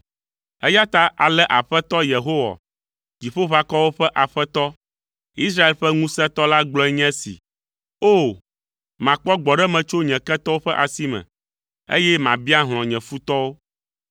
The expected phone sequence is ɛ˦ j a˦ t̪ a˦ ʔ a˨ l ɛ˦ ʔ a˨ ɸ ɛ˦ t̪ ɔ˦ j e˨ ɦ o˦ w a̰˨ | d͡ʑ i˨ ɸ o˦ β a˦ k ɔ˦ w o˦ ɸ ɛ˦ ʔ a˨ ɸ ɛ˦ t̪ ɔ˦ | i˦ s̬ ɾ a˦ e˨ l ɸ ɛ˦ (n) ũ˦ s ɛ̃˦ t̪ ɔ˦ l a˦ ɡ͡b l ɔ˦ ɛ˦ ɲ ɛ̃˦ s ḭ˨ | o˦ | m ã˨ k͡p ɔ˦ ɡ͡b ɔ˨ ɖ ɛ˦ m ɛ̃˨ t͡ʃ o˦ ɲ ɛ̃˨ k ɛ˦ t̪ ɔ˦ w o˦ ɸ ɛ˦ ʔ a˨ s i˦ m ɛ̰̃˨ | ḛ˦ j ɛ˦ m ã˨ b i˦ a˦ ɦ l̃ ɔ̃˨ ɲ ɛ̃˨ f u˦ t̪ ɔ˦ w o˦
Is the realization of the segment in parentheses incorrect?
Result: yes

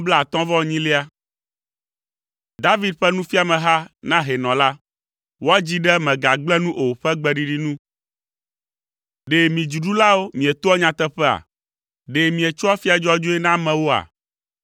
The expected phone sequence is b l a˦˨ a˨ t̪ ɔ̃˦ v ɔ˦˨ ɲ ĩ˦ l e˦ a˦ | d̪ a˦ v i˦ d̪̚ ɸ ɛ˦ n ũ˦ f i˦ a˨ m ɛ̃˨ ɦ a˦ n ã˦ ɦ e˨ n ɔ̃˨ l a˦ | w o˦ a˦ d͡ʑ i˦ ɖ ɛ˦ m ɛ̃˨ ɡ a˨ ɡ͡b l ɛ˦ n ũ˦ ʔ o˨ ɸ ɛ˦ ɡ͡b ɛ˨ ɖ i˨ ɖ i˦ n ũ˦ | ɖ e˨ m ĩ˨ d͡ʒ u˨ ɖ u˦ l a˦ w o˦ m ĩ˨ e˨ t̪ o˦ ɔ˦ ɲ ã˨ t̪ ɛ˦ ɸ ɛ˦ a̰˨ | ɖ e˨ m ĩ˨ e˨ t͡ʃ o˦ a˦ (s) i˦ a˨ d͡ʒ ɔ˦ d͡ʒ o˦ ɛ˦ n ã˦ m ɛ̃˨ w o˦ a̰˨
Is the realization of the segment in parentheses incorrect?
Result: yes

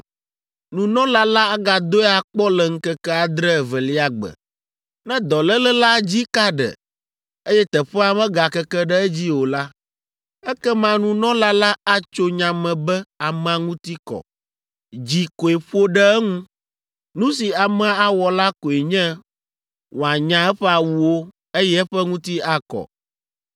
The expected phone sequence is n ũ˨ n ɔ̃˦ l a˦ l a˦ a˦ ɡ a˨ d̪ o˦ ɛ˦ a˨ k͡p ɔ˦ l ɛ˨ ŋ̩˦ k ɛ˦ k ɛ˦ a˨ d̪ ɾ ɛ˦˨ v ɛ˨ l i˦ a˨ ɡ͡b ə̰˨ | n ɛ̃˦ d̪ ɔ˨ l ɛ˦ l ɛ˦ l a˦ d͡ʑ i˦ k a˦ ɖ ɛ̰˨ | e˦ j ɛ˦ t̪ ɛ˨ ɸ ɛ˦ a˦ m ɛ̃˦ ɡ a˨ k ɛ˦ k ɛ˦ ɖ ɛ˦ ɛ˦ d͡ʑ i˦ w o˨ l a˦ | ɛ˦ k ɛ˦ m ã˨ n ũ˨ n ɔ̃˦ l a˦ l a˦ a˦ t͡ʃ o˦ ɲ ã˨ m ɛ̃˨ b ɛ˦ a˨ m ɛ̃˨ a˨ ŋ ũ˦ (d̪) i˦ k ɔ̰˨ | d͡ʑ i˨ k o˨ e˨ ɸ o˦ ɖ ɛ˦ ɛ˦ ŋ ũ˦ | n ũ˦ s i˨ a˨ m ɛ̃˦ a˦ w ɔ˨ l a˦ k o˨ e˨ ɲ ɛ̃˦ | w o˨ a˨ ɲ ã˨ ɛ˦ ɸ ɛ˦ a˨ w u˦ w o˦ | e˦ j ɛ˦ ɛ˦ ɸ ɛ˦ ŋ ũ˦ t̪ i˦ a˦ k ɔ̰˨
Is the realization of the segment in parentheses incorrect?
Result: yes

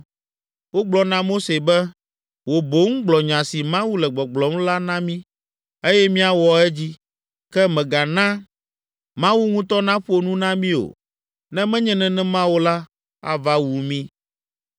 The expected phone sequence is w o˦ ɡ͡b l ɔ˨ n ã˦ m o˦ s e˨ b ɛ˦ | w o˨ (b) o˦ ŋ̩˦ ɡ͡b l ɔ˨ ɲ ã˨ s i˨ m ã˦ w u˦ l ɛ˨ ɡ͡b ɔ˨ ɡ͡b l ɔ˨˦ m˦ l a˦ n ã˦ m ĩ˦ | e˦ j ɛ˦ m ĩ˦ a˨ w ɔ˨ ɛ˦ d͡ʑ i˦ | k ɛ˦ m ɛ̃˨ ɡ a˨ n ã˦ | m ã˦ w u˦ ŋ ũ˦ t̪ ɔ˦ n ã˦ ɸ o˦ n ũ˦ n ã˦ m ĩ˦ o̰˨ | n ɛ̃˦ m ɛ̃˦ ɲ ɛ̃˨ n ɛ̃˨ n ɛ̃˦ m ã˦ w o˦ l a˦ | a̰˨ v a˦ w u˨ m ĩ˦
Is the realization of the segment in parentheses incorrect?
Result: no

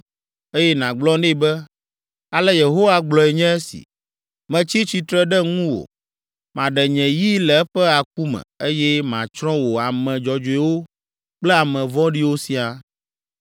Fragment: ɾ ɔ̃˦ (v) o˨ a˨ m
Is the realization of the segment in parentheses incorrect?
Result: yes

